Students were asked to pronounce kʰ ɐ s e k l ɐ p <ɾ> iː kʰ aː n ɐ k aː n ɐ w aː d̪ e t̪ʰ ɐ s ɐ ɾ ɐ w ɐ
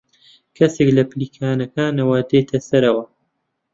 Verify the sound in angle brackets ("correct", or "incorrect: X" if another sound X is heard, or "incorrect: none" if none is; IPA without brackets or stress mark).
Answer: incorrect: l